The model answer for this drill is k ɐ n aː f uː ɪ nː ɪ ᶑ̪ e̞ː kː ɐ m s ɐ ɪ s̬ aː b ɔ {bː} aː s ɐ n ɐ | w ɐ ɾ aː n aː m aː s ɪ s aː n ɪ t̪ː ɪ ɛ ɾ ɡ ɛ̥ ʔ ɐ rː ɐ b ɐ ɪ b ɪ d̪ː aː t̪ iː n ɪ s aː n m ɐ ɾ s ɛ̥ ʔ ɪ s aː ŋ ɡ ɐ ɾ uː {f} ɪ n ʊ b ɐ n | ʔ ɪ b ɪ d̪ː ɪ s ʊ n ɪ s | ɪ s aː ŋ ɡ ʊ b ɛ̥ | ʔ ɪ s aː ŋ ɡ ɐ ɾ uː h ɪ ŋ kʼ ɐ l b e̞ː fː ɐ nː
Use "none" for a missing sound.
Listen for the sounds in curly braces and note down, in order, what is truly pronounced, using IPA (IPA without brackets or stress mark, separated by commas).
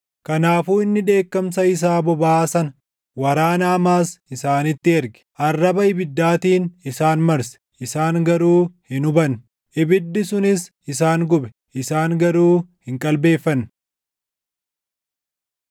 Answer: b, h